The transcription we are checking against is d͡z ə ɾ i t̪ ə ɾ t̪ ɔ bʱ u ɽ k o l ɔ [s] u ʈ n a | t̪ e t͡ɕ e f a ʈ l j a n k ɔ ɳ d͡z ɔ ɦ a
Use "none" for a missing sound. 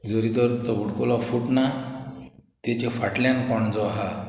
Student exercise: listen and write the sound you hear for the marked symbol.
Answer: f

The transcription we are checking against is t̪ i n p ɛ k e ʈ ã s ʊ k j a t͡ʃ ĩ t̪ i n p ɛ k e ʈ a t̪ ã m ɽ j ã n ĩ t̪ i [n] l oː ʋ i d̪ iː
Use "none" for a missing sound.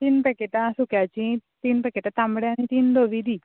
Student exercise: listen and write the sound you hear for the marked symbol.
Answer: n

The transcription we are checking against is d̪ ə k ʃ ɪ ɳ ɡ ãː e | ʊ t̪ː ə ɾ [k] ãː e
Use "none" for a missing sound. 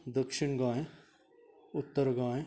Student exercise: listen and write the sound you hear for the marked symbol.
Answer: ɡ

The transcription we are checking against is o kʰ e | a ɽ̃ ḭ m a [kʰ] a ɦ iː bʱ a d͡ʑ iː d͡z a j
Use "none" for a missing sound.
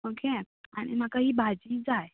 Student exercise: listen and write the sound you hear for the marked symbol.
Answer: k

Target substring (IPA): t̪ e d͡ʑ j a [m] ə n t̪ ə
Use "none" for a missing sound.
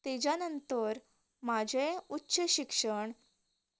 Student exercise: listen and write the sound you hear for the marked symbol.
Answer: n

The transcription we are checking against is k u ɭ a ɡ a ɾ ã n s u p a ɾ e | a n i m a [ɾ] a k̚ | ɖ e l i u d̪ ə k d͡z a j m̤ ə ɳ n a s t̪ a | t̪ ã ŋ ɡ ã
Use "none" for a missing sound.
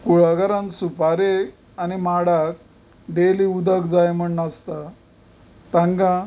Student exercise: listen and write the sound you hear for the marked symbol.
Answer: ɽ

